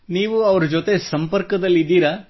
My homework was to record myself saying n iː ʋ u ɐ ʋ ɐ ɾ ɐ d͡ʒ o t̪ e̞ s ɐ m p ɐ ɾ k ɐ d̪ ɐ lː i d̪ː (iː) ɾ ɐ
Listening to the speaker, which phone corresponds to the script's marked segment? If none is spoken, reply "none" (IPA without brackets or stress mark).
iː